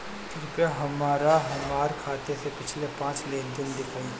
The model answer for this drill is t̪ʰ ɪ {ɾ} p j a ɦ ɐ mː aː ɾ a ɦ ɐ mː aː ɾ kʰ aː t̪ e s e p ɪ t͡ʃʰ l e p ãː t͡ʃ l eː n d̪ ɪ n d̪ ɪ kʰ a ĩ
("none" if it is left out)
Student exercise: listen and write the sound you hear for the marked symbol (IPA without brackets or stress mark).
ɾ